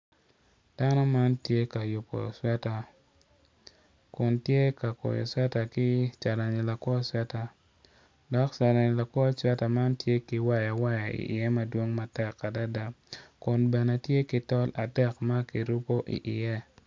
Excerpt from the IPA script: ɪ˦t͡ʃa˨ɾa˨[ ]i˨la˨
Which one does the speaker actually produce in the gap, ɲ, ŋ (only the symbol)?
ɲ